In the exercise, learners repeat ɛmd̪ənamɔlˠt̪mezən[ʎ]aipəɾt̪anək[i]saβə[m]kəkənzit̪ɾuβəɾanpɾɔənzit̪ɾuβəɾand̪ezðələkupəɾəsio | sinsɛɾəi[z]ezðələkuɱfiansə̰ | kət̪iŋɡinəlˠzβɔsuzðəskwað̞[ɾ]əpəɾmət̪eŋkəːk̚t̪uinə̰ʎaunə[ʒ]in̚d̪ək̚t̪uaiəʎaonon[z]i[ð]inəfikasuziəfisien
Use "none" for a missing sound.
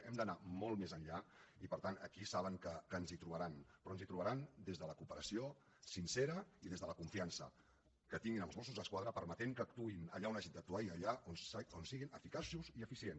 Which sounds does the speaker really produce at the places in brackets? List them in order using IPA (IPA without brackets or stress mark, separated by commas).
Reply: ʎ, i, ŋ, ð, ɾ, ʒ, s, ɣ